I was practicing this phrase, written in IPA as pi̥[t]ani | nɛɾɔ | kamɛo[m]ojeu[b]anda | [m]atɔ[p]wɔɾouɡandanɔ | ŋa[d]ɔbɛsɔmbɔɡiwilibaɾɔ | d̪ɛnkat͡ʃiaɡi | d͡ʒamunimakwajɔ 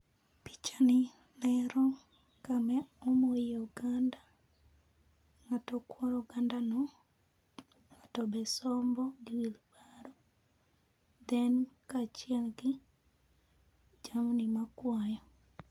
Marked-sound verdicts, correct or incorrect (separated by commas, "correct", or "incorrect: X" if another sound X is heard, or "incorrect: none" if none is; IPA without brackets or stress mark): incorrect: t͡ʃ, correct, incorrect: ɡ, incorrect: ŋ, incorrect: k, incorrect: t